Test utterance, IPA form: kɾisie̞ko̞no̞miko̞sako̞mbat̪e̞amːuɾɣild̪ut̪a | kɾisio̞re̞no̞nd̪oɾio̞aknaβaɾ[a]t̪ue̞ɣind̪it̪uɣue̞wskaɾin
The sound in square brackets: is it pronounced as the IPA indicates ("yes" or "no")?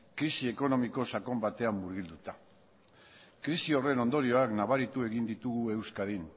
no